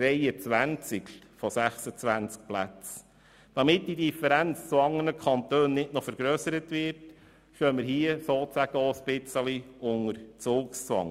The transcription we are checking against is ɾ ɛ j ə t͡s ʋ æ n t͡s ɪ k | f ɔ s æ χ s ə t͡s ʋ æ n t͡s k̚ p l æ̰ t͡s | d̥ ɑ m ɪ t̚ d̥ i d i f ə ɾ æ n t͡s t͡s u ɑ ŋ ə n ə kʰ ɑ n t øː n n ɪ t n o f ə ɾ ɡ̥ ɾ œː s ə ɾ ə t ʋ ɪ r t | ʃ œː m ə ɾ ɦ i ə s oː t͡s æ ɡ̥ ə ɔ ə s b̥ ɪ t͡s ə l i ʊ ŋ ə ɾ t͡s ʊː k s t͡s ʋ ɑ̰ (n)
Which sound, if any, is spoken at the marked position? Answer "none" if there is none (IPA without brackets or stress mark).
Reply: ŋ